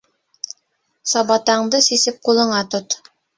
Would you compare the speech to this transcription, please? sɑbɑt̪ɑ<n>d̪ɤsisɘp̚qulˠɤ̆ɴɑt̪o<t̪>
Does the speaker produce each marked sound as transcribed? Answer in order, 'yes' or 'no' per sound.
no, yes

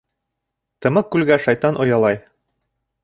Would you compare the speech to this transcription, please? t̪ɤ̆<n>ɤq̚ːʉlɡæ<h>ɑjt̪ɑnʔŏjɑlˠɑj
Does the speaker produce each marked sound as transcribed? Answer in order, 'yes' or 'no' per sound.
no, no

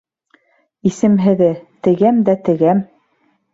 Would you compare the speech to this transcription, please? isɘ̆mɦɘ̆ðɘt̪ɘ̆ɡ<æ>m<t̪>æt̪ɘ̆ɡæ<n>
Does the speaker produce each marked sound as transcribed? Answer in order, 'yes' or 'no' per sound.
yes, no, no

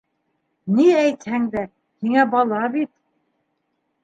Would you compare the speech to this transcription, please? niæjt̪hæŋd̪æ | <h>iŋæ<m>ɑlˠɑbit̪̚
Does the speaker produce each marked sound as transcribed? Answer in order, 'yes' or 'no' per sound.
yes, no

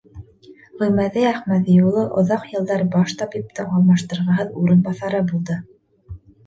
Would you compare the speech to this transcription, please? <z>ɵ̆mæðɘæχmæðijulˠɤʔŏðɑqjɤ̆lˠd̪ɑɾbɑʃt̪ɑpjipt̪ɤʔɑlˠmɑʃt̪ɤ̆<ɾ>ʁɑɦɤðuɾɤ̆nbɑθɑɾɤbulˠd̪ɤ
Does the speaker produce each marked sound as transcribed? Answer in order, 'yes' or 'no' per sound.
no, yes

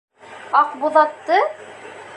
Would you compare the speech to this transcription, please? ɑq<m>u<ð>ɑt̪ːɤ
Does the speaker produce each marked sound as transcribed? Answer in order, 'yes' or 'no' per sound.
no, yes

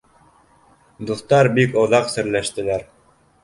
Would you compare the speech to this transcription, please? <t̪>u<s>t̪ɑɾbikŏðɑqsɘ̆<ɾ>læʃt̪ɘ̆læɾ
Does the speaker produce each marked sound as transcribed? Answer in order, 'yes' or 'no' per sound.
no, no, yes

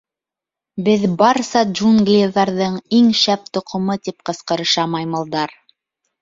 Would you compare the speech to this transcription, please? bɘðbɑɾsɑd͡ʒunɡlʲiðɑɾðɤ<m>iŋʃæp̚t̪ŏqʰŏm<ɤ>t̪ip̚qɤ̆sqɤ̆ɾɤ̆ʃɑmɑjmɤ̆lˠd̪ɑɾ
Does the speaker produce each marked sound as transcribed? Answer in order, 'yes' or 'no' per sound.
no, yes

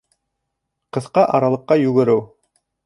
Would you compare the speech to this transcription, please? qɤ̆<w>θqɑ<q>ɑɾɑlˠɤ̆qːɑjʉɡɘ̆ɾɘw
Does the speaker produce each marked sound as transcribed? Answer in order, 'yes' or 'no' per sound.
no, no

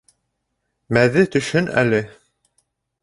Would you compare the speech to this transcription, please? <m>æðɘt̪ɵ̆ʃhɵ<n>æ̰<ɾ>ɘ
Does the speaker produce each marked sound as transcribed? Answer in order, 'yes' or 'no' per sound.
yes, yes, no

